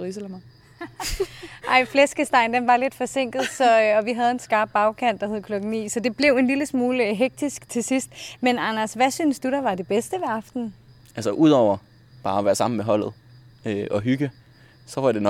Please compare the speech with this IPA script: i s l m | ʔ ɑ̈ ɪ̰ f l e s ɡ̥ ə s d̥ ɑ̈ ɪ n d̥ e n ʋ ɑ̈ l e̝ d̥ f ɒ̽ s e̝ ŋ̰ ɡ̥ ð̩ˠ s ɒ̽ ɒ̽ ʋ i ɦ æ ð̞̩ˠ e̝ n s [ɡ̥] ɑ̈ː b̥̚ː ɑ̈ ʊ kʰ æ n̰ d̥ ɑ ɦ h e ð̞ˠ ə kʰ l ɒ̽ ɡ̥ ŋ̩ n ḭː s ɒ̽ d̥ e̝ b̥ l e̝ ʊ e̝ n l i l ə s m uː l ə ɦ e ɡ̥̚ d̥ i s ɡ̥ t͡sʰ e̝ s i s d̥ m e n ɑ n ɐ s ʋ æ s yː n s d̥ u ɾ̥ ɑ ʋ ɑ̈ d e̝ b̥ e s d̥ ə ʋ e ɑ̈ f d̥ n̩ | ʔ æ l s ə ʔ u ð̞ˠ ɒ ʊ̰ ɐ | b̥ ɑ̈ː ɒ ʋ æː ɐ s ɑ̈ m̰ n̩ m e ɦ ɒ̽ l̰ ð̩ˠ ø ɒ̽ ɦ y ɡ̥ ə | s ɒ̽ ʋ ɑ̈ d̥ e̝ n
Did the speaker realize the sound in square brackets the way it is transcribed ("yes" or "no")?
yes